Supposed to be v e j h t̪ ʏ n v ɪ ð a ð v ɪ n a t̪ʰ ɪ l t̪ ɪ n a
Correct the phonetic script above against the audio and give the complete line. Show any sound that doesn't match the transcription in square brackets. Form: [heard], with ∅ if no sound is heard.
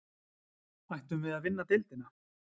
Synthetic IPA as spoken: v [a] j h t̪ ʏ [m] v ɪ ð a ð v ɪ [nː] a [t̪] ɪ l t̪ ɪ n a